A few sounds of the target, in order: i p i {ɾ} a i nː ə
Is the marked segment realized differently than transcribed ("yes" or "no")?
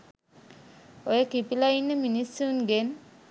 yes